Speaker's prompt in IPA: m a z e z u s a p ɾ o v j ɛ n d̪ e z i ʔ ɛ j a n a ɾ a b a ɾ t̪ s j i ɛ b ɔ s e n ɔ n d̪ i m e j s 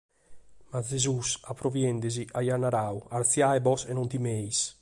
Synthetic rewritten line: m a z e z u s a p ɾ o v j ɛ n d̪ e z i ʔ a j a n a ɾ a w a ɾ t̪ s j a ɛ b ɔ s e n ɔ n t̪ i m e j s